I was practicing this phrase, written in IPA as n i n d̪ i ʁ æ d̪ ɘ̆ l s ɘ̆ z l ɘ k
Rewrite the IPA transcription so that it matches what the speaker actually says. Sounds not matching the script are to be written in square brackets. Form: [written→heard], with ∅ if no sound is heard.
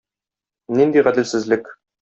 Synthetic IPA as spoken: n i n d̪ i ʁ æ d̪ ɘ̆ l s ɘ̆ z l ɘ k